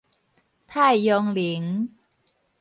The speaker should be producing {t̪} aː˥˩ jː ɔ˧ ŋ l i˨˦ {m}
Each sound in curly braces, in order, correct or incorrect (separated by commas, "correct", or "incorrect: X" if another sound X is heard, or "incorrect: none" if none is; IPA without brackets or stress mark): incorrect: t̪ʰ, incorrect: ŋ